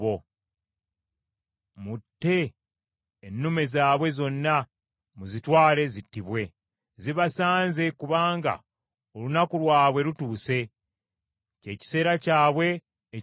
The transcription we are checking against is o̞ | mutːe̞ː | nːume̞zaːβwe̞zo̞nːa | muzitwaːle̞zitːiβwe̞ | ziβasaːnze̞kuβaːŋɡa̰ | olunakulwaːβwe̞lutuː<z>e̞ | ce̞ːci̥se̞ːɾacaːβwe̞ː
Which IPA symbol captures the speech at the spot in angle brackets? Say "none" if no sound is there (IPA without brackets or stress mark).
s